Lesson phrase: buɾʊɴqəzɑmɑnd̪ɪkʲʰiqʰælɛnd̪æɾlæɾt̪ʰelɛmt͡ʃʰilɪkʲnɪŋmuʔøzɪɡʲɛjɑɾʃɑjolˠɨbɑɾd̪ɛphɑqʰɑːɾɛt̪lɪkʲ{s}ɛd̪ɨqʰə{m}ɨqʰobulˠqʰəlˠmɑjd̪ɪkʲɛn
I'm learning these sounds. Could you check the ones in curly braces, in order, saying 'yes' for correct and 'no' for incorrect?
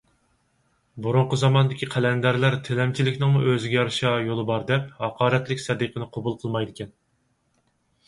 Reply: yes, no

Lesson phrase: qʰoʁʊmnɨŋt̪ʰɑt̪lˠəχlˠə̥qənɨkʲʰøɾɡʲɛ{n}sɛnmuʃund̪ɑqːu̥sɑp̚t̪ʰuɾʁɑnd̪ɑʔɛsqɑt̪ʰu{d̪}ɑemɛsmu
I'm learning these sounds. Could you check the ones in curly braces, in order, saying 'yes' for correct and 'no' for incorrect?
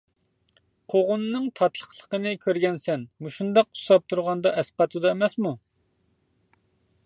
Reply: yes, yes

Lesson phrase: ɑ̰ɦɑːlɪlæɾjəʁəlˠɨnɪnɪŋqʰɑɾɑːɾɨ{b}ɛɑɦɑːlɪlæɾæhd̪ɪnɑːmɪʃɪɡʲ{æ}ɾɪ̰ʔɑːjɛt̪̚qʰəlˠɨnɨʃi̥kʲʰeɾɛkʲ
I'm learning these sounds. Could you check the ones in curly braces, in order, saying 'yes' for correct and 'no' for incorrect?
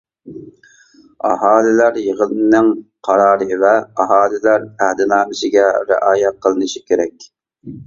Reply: no, no

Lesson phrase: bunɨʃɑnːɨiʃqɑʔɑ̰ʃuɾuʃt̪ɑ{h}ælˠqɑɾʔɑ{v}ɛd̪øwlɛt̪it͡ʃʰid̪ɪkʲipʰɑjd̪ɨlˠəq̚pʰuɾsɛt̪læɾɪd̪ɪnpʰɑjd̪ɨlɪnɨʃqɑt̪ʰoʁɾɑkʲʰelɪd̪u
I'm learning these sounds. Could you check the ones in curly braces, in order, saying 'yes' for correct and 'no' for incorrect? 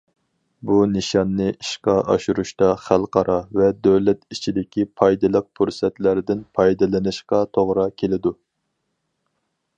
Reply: no, yes

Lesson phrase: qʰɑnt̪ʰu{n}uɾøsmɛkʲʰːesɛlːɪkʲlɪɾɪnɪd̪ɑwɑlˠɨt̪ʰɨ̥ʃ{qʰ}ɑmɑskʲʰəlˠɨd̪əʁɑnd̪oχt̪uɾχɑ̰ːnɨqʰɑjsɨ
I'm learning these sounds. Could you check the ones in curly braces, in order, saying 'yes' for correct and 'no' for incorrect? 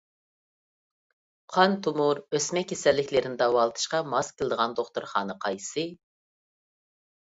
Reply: no, no

